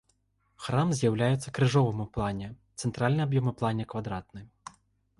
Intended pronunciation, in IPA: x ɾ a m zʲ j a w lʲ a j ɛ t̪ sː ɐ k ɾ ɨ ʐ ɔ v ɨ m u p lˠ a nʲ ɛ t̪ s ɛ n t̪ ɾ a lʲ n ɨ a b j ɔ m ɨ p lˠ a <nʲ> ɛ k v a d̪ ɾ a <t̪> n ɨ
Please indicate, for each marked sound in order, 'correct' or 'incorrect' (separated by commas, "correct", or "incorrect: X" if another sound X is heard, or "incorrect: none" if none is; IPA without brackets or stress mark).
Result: correct, correct